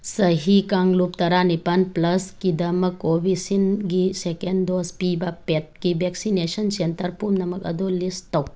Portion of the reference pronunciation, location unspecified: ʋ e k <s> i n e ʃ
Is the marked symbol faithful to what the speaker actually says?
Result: yes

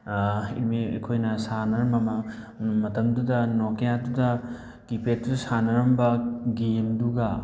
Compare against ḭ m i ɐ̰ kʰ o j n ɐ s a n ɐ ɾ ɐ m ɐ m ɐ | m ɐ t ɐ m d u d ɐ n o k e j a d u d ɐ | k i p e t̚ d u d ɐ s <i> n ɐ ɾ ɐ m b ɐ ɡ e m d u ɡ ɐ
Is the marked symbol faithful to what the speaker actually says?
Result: no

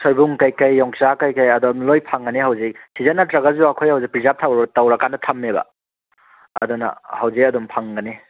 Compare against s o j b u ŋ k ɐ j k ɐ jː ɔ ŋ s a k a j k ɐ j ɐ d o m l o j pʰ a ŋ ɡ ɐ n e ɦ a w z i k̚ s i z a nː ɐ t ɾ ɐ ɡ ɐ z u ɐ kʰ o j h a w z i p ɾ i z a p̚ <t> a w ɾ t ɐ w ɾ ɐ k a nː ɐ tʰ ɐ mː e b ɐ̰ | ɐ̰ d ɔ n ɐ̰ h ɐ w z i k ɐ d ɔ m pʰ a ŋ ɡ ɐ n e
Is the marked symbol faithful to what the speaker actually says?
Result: no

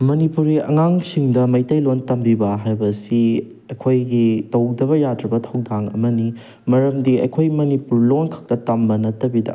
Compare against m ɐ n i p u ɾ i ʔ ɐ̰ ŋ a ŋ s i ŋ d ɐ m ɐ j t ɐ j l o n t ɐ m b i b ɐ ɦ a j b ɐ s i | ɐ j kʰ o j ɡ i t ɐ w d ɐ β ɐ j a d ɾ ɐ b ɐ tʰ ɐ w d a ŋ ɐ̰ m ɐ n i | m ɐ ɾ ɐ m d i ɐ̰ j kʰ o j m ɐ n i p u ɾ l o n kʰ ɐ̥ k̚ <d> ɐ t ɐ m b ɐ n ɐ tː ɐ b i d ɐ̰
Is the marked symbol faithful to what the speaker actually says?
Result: no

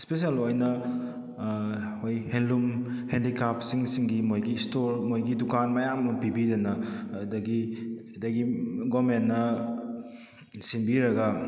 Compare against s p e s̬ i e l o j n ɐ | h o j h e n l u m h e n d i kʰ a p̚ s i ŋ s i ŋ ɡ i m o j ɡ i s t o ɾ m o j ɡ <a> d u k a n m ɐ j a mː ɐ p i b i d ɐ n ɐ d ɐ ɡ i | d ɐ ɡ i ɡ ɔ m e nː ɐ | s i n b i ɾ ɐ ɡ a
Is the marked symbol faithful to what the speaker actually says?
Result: no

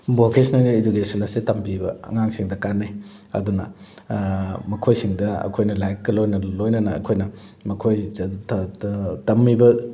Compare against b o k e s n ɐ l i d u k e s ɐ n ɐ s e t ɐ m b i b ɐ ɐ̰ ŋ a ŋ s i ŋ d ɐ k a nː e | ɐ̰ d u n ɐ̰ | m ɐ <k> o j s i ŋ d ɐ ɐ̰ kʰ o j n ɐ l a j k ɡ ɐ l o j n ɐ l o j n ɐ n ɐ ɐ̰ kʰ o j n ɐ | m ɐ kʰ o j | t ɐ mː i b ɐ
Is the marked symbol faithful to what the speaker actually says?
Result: no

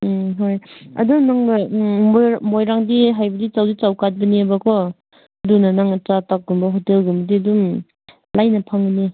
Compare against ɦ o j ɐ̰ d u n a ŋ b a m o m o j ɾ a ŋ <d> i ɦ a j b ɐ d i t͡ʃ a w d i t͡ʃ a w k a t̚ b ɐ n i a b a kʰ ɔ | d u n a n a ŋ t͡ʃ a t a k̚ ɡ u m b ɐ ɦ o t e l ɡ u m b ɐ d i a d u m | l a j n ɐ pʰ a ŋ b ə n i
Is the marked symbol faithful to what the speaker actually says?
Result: yes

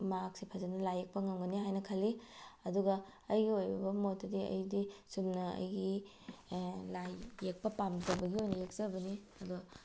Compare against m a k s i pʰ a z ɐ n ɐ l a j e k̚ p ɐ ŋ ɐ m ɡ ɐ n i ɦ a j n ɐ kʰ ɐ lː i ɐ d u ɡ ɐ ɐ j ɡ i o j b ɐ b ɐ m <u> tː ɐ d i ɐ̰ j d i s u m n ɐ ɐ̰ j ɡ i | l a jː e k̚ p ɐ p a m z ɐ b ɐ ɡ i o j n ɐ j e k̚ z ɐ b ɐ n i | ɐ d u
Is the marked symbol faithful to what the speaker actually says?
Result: no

